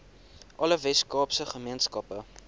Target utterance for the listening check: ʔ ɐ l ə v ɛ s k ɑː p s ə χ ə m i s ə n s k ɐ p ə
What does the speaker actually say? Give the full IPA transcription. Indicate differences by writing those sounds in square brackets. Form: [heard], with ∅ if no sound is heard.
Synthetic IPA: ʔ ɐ l ə v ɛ s k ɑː p s ə χ ə m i [∅] ə n s k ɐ p ə